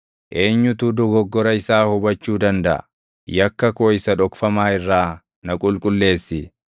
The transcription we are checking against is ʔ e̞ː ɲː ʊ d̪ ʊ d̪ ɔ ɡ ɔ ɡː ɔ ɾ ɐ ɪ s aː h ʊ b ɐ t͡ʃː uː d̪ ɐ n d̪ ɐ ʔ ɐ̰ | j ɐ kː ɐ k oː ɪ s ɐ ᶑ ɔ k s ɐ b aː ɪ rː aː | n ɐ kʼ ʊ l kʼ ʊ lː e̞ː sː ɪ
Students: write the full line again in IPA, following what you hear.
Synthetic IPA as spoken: ʔ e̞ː ɲː ʊ t̪ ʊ d̪ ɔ ɡ ɔ ɡː ɔ ɾ ɐ ɪ s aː h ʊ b ɐ t͡ʃː uː d̪ ɐ n d̪ ɐ ʔ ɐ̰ | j ɐ kː ɐ k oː ɪ s ɐ ᶑ ɔ k f ɐ m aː ɪ rː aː | n ɐ kʼ ʊ l kʼ ʊ lː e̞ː sː ɪ